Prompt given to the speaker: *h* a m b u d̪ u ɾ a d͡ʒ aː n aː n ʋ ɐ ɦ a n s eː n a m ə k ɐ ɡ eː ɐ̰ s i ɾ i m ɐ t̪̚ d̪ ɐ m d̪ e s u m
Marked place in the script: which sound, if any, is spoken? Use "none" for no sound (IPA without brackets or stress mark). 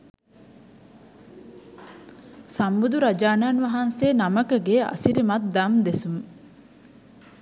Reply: s